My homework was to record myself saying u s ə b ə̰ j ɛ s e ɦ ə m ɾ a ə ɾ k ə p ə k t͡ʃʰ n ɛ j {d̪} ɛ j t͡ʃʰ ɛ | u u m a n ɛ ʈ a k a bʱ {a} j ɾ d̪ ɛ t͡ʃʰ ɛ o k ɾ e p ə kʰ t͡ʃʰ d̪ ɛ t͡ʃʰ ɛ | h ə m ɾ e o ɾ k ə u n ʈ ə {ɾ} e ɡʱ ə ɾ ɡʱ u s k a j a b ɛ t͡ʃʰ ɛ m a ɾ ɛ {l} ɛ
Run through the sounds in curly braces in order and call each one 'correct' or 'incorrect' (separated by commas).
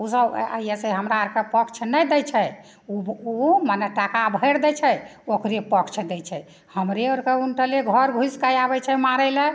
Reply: correct, incorrect, incorrect, correct